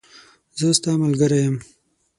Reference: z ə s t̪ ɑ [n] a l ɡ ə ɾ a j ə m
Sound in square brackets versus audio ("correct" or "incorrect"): incorrect